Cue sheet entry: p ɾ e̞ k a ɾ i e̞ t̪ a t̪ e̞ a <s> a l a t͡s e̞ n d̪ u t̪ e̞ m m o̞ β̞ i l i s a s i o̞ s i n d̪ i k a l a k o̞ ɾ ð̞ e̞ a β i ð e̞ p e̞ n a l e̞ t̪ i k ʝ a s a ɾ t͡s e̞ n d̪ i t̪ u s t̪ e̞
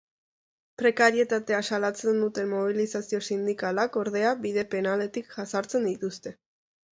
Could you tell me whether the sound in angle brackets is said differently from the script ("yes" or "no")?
no